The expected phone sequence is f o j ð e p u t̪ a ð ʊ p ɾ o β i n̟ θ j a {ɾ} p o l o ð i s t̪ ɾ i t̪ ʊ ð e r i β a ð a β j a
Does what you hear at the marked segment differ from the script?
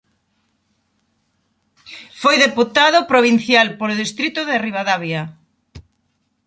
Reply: yes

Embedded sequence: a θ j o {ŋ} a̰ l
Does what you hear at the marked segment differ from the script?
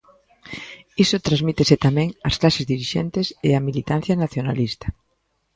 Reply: yes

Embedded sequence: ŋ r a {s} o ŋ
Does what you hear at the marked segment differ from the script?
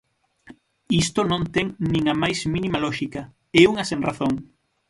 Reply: yes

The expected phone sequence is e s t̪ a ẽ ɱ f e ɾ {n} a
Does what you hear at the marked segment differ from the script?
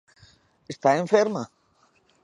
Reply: yes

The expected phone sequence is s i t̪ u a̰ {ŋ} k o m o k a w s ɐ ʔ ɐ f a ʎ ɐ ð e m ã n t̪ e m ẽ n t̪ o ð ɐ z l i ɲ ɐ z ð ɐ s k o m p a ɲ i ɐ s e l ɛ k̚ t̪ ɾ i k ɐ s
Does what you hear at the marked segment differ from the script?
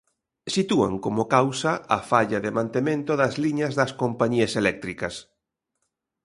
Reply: no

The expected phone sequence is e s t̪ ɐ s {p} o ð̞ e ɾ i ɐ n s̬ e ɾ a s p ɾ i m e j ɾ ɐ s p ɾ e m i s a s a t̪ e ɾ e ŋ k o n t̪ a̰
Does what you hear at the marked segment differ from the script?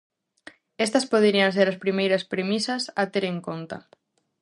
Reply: no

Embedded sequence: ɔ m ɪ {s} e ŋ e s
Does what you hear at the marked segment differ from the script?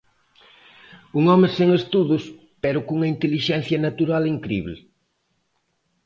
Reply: no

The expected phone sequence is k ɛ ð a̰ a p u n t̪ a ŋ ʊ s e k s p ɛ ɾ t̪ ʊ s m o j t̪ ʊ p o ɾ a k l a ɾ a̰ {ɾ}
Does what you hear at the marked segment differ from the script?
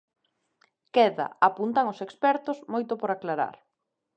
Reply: no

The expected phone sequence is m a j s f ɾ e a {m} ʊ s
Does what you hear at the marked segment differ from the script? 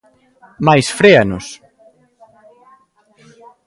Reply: yes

